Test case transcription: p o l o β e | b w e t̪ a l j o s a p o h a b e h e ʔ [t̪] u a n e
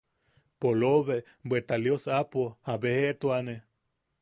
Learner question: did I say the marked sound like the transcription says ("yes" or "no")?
yes